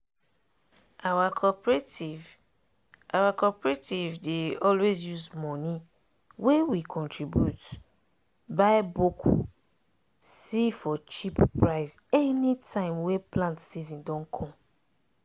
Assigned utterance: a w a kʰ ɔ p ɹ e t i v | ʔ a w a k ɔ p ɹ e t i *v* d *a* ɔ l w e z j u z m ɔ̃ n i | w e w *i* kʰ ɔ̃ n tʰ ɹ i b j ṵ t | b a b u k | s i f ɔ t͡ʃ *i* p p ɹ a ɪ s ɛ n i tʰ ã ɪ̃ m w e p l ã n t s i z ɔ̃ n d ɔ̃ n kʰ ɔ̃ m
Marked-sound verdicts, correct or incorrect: correct, incorrect, correct, correct

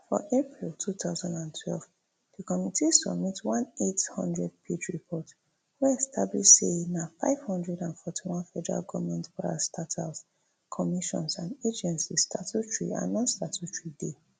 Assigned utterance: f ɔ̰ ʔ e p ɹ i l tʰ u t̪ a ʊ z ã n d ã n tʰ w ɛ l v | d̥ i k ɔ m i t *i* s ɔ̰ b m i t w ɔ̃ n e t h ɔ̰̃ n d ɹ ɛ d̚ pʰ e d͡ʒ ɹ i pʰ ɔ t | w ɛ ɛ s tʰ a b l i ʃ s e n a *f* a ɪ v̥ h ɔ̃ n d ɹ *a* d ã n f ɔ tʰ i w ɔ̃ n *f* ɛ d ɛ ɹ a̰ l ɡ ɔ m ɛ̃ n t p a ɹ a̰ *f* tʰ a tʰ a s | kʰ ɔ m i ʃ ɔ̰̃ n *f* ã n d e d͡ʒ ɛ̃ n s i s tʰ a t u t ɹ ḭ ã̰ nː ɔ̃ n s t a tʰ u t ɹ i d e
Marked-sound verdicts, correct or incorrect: correct, correct, incorrect, correct, incorrect, incorrect

